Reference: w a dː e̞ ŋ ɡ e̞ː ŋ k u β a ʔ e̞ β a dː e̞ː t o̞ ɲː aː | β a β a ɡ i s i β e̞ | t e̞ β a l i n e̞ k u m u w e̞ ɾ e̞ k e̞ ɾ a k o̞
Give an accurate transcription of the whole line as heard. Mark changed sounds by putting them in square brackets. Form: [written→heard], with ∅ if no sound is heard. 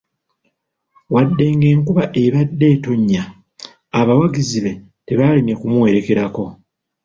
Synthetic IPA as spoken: w a dː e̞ ŋ ɡ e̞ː ŋ k u β a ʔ e̞ β a dː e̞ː t o̞ ɲː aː | β a [β→w] a ɡ i [s→z] i β e̞ | t e̞ β a l i n e̞ k u m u w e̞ ɾ e̞ k e̞ ɾ a k o̞